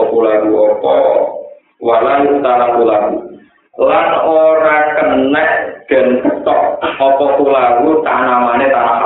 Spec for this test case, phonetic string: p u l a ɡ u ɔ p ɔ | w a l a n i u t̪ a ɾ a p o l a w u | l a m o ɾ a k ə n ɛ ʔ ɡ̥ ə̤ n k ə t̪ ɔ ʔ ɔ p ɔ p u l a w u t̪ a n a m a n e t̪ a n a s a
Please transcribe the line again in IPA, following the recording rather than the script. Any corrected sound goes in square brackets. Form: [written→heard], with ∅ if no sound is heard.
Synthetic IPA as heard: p u l a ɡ u ɔ p ɔ | w a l a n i u t̪ a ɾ a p [o→u] l a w u | l a [m→n] o ɾ a k ə n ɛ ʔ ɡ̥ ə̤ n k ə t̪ ɔ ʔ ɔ p ɔ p u l a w u t̪ a n a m a n e t̪ a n a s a